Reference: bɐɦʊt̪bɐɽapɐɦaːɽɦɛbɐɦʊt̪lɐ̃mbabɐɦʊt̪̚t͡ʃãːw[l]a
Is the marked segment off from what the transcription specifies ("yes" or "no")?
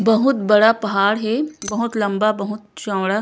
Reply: yes